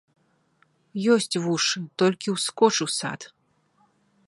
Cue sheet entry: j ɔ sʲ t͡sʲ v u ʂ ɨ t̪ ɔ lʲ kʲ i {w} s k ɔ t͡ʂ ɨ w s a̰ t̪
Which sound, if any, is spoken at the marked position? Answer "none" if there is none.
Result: w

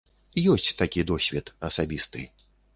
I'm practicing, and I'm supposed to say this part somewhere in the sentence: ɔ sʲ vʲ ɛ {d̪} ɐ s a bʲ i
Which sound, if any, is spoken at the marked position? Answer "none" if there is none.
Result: t̪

